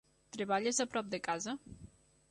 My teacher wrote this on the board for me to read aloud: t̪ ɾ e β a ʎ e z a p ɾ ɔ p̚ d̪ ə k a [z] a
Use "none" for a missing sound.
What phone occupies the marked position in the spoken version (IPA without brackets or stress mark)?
z